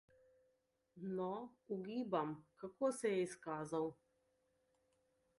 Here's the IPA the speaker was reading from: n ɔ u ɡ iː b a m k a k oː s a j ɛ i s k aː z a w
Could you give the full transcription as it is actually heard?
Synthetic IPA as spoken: n ɔ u ɡ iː b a m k a k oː s ɛ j ɛ i s k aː z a w

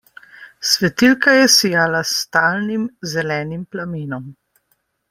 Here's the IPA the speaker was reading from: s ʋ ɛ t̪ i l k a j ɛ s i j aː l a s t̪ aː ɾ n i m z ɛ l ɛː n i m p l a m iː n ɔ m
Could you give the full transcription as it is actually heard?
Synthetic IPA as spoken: s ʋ ɛ t̪ i l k a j ɛ s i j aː l a s t̪ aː l n i m z ɛ l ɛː n i m p l a m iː n ɔ m

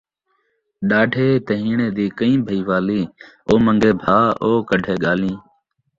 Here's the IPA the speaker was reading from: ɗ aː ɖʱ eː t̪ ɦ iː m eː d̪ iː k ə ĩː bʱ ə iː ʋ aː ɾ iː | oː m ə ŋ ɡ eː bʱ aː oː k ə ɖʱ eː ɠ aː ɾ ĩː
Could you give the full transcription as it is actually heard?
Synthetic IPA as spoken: ɗ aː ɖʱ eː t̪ ɦ iː ɳ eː d̪ iː k ə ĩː bʱ ə iː ʋ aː l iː | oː m ə ŋ ɡ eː bʱ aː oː k ə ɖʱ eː ɠ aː l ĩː

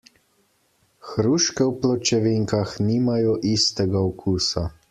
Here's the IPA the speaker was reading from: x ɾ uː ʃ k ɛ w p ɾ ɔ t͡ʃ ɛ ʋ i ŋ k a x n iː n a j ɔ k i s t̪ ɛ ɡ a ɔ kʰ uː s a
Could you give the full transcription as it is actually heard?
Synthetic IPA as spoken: x ɾ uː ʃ k ɛ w p l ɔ t͡ʃ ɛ ʋ i ŋ k a x n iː m a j ɔ ʔ i s t̪ ɛ ɡ a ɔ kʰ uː s a

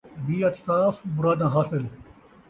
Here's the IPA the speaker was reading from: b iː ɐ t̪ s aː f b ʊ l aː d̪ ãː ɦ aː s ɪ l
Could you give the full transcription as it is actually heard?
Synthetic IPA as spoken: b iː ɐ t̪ s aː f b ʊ ɾ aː d̪ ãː ɦ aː s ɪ l

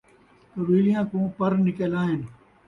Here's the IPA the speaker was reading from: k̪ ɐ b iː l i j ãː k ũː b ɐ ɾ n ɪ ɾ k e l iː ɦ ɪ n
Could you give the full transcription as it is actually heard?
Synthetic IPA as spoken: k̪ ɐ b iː l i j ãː k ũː p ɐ ɾ n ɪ k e l aː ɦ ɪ n

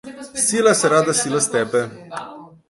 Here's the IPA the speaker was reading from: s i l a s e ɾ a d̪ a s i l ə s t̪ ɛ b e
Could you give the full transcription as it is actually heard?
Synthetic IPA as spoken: s i l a s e ɾ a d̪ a s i l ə s t̪ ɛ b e

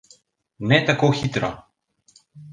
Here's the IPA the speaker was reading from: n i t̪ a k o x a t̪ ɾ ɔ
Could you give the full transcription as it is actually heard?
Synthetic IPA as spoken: n ɛ t̪ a k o x i t̪ ɾ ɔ

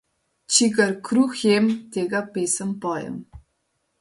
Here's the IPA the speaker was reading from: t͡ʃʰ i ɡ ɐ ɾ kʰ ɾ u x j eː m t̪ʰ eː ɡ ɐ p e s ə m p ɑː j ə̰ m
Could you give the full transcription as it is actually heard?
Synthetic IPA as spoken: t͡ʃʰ i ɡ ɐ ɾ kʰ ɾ u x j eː m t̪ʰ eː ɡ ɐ p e s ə m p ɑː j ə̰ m

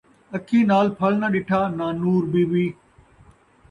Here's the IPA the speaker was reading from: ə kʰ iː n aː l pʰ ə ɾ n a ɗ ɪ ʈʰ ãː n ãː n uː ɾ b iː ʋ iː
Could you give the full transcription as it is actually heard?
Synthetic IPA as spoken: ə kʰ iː n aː l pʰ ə l n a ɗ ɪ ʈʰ aː n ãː n uː ɾ b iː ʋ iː

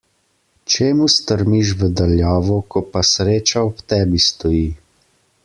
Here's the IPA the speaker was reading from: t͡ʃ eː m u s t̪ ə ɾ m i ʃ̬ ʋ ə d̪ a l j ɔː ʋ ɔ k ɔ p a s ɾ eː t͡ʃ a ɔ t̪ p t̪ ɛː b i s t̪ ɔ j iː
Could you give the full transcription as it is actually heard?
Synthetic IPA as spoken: t͡ʃ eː m u s t̪ ə ɾ m i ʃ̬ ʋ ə d̪ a l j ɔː ʋ ɔ k ɔ p a s ɾ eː t͡ʃ a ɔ p t̪ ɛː b i s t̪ ɔ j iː

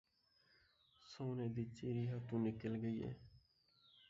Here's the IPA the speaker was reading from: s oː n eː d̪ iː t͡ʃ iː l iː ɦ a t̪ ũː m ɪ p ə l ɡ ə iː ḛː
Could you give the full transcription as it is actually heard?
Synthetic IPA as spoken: s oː n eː d̪ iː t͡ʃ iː ɾ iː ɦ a t̪ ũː n ɪ k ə l ɡ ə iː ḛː

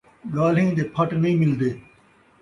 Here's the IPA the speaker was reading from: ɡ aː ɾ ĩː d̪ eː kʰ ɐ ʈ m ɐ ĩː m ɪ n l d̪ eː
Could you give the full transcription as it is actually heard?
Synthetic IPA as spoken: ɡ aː l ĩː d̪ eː pʰ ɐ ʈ n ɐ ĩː m ɪ l d̪ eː

